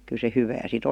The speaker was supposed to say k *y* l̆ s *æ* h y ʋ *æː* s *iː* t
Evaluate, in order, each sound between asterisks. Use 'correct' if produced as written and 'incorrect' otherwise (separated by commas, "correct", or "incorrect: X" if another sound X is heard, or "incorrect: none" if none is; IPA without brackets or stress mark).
correct, incorrect: e, correct, incorrect: i